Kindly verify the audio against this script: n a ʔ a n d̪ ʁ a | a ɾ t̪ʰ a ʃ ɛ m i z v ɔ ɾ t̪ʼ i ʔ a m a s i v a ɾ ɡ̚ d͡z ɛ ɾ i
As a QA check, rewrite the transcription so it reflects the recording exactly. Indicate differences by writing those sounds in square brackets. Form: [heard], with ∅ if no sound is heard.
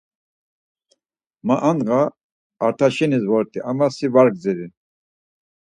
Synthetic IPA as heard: [m] a ʔ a n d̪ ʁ a | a ɾ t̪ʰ a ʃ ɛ [n] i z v ɔ ɾ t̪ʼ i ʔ a m a s i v a ɾ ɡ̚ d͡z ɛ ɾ i